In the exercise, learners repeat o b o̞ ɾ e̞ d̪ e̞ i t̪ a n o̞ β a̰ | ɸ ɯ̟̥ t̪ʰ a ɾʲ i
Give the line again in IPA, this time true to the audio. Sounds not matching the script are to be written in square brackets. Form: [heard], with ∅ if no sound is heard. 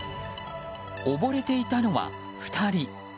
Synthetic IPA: o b o̞ ɾ e̞ [t̪] e̞ i t̪ a n o̞ β a̰ | ɸ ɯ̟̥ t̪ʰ a ɾʲ i